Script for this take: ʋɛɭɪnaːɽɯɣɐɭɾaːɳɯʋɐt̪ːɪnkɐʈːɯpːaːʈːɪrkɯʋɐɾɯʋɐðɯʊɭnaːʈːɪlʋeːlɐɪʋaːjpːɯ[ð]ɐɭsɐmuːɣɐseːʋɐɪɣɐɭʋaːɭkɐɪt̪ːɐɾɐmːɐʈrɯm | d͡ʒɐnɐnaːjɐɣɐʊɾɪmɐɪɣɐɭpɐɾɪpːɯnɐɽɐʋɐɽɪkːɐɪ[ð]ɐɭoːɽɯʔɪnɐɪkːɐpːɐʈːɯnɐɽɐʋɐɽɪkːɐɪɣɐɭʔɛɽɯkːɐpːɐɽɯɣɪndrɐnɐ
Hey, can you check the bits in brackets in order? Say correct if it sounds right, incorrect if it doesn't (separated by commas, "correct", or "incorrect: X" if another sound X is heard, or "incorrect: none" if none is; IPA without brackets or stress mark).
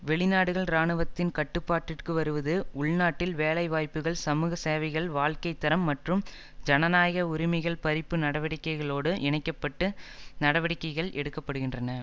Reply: incorrect: ɣ, incorrect: ɣ